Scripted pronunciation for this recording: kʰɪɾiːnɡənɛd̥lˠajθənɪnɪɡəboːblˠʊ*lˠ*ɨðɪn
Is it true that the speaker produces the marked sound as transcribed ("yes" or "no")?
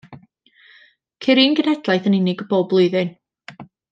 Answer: no